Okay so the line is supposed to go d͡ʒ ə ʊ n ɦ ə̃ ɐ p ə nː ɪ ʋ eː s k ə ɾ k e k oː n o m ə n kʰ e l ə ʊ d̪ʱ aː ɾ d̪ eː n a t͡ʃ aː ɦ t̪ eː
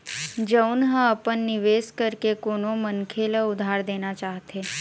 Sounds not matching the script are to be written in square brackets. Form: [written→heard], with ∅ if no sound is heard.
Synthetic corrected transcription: d͡ʒ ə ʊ n ɦ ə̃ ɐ p ə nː ɪ ʋ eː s k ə ɾ k e k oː n o m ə n kʰ e l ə ʊ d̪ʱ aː ɾ d̪ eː n a t͡ʃ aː ɦ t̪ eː